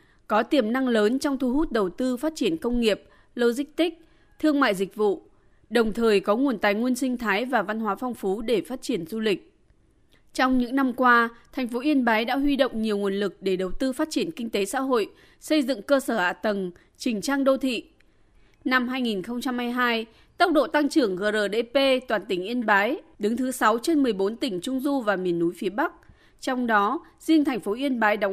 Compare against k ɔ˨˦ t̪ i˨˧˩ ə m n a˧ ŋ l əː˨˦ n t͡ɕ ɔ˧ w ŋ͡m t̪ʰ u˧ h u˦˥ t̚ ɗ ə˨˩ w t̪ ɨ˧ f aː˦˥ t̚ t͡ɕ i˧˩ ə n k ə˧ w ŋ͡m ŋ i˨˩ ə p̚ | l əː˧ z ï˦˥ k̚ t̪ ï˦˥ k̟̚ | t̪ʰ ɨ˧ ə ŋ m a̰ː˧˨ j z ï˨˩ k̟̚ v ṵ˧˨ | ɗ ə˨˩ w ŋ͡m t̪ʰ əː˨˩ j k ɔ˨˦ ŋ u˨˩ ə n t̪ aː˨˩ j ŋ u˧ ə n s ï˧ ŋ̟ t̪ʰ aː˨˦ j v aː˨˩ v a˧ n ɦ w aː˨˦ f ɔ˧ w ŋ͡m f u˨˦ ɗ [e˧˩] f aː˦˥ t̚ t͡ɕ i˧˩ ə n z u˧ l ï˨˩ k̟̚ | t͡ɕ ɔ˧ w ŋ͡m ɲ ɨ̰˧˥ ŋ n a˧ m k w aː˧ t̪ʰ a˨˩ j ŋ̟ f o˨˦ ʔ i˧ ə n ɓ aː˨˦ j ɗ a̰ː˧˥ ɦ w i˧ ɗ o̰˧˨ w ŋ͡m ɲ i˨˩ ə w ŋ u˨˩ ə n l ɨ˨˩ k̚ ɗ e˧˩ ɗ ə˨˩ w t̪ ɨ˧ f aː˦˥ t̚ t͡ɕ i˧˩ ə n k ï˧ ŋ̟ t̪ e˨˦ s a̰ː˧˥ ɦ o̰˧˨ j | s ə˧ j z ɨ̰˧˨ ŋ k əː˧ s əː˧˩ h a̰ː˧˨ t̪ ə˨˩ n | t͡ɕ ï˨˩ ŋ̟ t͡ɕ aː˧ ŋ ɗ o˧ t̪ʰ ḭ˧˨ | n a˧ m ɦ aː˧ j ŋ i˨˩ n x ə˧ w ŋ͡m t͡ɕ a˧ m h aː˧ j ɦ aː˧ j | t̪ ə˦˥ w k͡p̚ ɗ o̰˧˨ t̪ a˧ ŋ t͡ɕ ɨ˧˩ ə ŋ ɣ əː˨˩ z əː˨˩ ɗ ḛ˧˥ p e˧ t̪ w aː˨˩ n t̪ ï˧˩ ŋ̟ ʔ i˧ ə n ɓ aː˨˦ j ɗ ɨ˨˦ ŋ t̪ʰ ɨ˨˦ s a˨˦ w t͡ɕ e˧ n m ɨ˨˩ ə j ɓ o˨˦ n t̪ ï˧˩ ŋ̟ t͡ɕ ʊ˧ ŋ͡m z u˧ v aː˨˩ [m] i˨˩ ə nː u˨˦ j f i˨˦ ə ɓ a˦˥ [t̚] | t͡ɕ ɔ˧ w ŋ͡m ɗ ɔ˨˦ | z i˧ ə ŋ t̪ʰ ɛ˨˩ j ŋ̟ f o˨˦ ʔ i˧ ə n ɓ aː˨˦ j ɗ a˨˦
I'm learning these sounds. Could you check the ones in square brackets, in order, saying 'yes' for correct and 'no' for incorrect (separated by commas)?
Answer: yes, yes, no